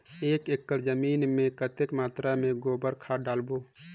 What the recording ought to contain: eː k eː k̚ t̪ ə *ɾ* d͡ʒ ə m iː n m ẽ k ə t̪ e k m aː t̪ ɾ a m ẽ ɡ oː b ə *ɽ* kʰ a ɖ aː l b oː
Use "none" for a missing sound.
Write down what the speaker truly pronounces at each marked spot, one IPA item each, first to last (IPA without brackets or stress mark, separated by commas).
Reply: ɾ, ɾ